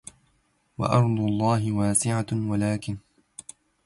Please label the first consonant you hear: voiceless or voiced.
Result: voiced